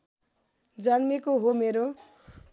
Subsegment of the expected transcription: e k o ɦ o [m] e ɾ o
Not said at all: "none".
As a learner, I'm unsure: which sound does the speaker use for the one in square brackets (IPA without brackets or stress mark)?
m